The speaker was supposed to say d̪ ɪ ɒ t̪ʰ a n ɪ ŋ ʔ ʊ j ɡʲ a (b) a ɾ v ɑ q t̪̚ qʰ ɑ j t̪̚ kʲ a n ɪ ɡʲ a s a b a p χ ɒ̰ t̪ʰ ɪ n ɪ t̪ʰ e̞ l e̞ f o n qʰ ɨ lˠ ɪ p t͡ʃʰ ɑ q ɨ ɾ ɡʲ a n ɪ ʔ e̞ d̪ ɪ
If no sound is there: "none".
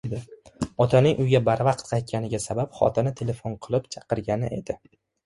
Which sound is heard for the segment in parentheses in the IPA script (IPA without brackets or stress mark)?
b